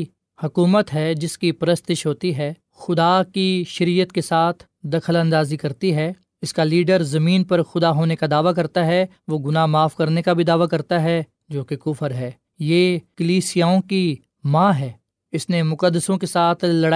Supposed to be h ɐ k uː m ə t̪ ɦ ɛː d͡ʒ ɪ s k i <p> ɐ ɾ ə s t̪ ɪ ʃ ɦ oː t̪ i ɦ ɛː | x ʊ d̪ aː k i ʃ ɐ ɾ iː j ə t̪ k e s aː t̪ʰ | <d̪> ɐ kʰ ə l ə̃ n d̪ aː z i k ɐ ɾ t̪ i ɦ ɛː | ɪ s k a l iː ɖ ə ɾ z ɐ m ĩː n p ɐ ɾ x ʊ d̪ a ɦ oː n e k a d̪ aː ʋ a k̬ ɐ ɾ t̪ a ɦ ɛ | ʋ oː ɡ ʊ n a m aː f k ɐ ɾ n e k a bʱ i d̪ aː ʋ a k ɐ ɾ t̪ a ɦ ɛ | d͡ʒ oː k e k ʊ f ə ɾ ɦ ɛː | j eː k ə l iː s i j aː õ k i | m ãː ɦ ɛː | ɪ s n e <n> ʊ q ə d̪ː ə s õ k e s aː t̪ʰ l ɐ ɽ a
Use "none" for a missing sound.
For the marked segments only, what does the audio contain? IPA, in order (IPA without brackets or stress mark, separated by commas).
p, d̪, m